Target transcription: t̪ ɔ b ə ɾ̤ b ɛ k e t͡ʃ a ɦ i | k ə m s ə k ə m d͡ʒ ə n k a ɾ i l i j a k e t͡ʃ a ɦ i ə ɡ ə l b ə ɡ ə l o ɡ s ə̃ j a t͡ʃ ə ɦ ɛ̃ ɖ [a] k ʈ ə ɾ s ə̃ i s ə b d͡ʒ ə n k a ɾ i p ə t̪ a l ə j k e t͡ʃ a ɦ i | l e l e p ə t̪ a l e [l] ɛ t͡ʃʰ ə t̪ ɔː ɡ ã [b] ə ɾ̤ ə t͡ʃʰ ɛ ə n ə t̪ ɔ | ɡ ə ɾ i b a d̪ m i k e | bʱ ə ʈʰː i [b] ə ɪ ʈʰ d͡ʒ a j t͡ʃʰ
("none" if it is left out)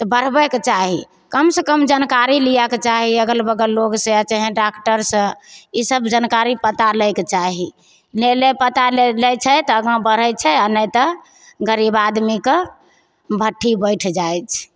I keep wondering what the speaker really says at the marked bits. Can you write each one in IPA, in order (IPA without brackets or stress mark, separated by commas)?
a, l, b, b